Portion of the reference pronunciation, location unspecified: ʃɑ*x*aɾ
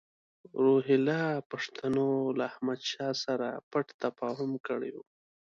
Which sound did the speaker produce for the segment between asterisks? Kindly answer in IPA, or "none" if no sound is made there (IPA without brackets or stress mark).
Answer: s